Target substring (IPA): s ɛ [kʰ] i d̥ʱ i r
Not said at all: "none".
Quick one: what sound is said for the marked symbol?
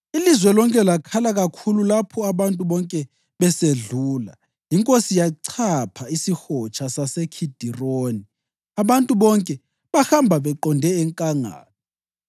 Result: kʰ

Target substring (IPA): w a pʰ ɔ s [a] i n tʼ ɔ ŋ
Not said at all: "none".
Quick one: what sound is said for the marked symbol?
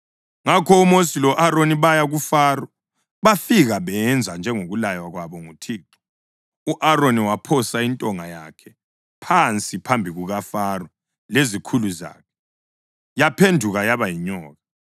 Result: a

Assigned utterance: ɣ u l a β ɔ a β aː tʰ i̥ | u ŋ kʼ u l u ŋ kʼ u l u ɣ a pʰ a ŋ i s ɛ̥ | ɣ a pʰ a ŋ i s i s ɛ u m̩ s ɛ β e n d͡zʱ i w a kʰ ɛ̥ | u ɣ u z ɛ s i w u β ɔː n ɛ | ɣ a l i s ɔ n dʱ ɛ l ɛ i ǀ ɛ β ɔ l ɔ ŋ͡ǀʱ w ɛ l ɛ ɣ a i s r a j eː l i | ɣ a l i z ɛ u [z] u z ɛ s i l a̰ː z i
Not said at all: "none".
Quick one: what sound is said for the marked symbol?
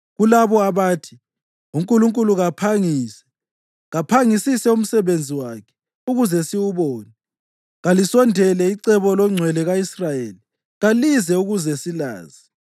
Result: ɣ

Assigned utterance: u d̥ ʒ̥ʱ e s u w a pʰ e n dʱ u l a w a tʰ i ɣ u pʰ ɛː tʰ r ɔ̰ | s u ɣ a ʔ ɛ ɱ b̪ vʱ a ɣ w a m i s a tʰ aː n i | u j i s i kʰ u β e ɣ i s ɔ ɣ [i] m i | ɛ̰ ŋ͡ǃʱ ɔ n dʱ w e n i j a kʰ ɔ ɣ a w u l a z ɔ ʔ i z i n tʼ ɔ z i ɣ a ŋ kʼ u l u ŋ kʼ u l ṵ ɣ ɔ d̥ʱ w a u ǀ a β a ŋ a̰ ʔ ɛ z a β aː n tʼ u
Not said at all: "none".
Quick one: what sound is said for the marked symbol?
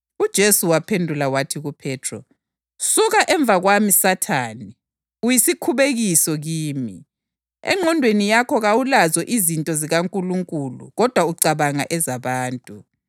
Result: iː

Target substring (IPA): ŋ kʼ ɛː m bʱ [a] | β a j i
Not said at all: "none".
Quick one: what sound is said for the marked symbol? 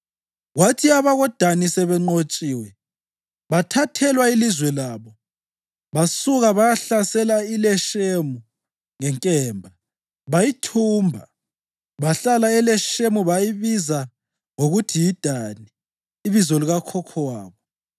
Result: a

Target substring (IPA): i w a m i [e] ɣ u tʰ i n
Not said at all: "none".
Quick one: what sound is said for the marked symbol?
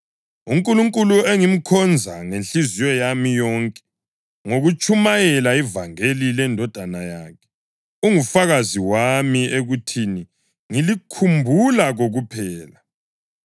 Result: e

